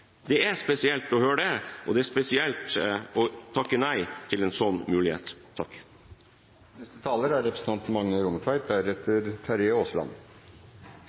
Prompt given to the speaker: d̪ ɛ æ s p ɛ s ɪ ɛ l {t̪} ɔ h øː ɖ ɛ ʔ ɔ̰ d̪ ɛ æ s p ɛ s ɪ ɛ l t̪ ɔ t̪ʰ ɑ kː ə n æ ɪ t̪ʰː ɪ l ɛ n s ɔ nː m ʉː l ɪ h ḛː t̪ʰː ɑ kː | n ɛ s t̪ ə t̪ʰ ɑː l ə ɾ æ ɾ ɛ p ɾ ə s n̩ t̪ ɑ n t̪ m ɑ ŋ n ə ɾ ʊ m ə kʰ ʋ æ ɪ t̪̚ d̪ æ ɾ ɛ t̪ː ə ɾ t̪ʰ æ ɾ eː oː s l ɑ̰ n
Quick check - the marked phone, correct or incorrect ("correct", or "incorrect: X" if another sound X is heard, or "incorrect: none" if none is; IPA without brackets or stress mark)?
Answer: correct